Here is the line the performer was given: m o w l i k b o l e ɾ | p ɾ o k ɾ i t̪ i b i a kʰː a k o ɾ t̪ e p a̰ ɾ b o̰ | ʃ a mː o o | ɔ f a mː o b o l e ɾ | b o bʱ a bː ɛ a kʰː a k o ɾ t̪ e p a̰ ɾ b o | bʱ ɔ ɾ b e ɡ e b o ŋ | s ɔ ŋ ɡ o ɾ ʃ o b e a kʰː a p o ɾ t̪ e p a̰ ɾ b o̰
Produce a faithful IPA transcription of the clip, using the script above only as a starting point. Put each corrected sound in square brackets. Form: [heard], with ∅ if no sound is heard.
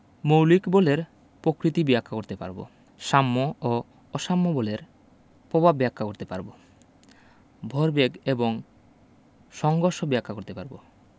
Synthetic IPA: m o w l i k b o l e ɾ | p ɾ o k ɾ i t̪ i b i a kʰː a k o ɾ t̪ e p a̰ ɾ b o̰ | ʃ a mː o o | ɔ [ʃ] a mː o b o l e ɾ | [p] o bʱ a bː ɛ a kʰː a k o ɾ t̪ e p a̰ ɾ b o | bʱ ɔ ɾ b e ɡ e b o ŋ | [ʃ] ɔ ŋ ɡ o ɾ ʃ o b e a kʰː a [k] o ɾ t̪ e p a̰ ɾ b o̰